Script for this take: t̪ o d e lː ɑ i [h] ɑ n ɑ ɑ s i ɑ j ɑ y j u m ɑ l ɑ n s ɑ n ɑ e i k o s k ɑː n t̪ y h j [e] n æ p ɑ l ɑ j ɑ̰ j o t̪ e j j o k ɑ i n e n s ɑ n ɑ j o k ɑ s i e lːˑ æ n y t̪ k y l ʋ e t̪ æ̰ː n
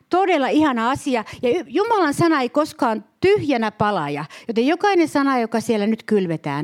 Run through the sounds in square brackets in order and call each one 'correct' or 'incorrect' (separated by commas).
correct, incorrect